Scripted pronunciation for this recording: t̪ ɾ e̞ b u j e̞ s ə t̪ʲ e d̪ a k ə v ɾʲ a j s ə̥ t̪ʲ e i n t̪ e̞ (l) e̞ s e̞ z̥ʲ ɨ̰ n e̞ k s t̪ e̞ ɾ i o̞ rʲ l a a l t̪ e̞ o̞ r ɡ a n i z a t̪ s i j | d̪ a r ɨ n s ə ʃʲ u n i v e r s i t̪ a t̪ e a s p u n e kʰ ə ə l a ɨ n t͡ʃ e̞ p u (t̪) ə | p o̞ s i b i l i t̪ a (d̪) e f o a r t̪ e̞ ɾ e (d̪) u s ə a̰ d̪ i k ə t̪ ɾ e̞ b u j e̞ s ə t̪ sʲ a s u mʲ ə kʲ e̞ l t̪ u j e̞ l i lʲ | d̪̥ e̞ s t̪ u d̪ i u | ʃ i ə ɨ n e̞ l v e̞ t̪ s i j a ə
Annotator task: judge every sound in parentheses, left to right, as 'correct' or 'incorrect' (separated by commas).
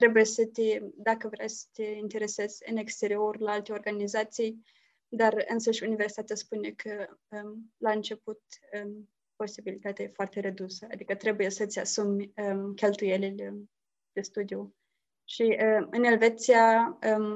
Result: incorrect, correct, incorrect, correct